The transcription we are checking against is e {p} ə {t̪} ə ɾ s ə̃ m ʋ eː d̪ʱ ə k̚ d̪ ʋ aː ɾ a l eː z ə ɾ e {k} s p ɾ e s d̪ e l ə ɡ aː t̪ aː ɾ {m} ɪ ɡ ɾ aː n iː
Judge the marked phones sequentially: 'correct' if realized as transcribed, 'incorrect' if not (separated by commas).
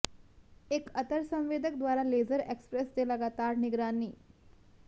incorrect, correct, correct, incorrect